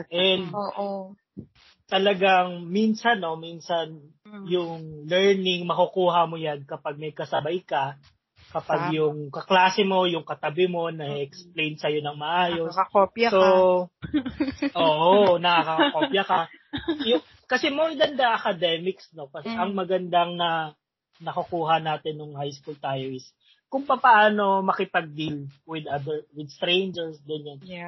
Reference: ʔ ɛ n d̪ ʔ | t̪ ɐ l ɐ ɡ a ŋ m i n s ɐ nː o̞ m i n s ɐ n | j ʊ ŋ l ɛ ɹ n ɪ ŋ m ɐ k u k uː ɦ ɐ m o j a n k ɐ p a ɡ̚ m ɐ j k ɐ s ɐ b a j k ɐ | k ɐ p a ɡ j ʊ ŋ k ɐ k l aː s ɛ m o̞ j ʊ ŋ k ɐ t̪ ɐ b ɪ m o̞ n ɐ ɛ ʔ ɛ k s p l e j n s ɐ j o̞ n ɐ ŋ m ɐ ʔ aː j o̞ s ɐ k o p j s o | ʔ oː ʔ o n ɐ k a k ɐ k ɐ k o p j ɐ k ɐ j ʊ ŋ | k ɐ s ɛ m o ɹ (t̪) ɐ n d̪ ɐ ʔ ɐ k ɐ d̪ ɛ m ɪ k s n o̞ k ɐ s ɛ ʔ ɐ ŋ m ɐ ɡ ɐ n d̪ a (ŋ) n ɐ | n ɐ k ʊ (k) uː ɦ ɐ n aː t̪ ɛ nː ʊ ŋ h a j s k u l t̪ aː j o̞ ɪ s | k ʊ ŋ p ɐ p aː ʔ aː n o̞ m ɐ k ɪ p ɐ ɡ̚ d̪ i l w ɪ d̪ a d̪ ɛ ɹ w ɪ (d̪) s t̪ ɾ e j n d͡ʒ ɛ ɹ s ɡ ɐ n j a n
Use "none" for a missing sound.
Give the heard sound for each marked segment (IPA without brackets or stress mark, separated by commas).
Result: d̪, ŋ, k, d̪